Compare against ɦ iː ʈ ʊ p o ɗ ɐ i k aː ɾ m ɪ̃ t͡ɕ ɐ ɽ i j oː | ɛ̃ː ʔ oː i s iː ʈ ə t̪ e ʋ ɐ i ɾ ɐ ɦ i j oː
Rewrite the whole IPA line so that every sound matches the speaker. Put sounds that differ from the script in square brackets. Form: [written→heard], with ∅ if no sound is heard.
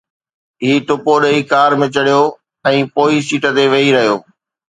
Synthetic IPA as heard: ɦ iː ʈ ʊ p o ɗ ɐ i k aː ɾ m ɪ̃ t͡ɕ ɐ ɽ i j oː | ɛ̃ː [ʔ→p] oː i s iː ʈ ə t̪ e ʋ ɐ i ɾ ɐ ɦ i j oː